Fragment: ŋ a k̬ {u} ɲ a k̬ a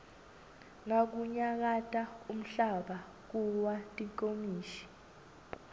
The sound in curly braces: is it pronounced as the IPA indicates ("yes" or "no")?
yes